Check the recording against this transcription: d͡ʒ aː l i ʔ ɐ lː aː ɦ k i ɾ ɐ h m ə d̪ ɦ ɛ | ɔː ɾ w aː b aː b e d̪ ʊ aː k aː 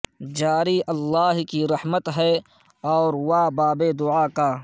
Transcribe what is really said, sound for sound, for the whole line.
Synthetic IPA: d͡ʒ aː ɾ i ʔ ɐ lː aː ɦ k i ɾ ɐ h m ə t̪ ɦ ɛ | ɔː ɾ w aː b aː b e d̪ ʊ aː k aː